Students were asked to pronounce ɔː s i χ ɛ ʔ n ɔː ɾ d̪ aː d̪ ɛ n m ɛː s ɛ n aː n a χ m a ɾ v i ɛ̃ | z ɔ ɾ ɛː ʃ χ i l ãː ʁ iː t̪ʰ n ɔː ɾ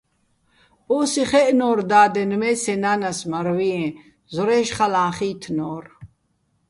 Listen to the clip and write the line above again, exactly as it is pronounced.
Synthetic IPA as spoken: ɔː s i χ ɛ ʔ n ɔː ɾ d̪ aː d̪ ɛ n m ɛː s ɛ n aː n a s m a ɾ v i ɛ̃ | z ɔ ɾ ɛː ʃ χ a l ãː χ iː t̪ʰ n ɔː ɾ